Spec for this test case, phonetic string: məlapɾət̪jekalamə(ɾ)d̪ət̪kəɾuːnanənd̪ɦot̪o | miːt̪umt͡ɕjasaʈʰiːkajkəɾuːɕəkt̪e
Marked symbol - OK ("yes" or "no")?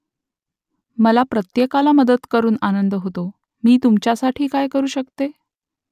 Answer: no